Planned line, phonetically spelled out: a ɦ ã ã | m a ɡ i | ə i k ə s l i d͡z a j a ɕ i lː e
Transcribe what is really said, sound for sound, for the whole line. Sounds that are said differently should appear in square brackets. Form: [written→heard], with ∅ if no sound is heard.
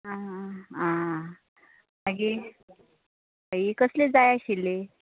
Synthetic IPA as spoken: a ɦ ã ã | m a ɡ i | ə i k ə s l [i→e] d͡z a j a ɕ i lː e